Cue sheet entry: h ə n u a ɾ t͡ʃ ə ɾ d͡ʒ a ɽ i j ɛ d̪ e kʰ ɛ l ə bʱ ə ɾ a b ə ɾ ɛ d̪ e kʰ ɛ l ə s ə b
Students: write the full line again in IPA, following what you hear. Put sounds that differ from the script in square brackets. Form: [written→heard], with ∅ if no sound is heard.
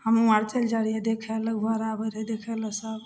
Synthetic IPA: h ə [n→m] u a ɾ t͡ʃ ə [ɾ→l] d͡ʒ a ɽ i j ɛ d̪ e kʰ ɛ l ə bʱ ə ɾ a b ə ɾ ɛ d̪ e kʰ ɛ l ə s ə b

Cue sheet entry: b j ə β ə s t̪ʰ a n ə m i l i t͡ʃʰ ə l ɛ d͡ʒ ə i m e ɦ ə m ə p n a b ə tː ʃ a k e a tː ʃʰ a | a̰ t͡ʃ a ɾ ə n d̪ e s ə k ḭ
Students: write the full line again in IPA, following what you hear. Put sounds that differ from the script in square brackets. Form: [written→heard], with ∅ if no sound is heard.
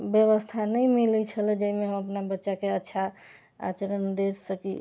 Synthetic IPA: b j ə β ə s t̪ʰ a n ə m i l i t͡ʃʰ ə l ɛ d͡ʒ ə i m e ɦ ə m ə p n a b ə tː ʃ a k e [a→ə] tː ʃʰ a | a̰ t͡ʃ [a→ə] ɾ ə n d̪ e s ə k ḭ

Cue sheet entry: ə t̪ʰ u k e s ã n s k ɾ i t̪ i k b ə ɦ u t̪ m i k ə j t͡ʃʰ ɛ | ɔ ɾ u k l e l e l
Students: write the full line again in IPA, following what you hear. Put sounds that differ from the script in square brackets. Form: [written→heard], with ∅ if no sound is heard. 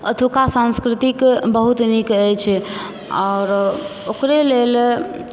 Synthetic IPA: ə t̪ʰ u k [e→a] s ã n s k ɾ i t̪ i k b ə ɦ u t̪ [m→n] i k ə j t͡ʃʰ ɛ | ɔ ɾ [u→o] k [l→ɾ] e l e l

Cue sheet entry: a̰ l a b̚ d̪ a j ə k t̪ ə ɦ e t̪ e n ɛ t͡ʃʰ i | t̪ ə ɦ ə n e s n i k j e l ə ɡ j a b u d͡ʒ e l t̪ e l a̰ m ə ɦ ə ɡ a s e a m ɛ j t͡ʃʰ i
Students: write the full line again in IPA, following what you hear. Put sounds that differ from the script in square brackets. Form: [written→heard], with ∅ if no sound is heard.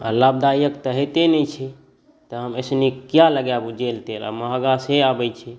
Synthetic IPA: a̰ l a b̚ d̪ a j ə k t̪ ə ɦ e t̪ e n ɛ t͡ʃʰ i | t̪ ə ɦ ə [n→m] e s n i k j [e→a] l ə ɡ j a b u d͡ʒ e l t̪ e l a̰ m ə ɦ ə ɡ a s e a [m→b] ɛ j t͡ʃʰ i

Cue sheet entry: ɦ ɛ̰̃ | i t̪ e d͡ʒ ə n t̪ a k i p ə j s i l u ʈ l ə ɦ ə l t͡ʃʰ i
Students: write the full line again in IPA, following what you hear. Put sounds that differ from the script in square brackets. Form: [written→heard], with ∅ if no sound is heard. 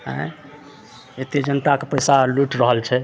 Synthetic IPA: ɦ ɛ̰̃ | [i→e] t̪ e d͡ʒ ə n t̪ a k [i→e] p ə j s [i→a] l u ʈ [l→ɾ] ə ɦ ə l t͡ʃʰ [i→ɛ]

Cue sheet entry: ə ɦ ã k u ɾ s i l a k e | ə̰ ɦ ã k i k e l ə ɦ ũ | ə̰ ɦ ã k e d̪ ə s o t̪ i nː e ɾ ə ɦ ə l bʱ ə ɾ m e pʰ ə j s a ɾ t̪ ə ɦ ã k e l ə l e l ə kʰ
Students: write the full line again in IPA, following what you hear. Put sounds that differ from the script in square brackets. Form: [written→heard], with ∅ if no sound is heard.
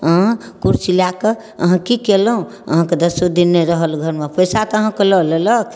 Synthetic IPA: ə ɦ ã k u ɾ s i l a k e | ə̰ ɦ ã k i k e l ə ɦ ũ | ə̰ ɦ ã k e d̪ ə s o [t̪→d̪] i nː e ɾ ə ɦ ə l [bʱ→ɡʱ] ə ɾ m e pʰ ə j s a [ɾ→∅] t̪ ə ɦ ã k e l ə l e l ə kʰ

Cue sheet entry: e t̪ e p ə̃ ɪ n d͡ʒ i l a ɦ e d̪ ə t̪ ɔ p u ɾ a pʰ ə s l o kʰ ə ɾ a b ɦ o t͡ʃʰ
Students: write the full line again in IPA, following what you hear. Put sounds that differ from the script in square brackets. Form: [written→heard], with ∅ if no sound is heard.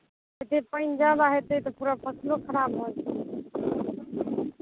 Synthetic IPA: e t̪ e p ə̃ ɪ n d͡ʒ [i→a] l a ɦ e [d̪→t̪] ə t̪ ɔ p u ɾ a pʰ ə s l o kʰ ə ɾ a b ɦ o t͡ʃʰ

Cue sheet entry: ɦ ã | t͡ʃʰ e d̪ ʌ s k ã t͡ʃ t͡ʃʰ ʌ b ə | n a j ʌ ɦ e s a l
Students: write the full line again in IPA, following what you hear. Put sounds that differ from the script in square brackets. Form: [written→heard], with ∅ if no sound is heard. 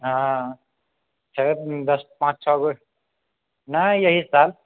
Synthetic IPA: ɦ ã | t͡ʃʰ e d̪ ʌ s [k→p] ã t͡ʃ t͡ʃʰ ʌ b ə | n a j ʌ ɦ [e→i] s a l

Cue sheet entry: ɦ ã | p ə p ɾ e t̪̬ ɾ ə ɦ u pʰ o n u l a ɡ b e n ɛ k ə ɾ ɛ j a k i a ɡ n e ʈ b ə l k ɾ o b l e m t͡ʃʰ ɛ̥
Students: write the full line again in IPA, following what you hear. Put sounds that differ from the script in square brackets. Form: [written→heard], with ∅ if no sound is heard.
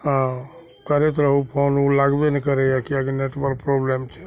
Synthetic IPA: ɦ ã | [p→k] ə [p→∅] ɾ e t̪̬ ɾ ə ɦ u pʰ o n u l a ɡ b e n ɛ k ə ɾ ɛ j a k i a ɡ n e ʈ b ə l [k→p] ɾ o b l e m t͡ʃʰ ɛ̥

